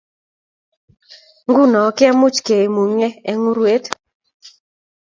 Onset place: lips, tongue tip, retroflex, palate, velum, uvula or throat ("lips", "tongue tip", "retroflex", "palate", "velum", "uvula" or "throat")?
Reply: velum